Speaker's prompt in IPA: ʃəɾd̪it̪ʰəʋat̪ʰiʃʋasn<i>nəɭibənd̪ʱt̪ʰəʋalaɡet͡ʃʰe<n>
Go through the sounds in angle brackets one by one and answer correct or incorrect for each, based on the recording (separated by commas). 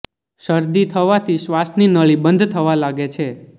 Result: correct, incorrect